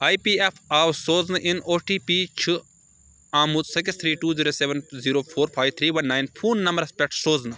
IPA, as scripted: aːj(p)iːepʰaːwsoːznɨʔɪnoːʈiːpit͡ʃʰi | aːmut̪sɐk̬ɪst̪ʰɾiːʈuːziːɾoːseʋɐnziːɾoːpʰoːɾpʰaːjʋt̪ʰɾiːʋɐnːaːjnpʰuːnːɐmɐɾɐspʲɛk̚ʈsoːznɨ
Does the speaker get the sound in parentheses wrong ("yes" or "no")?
no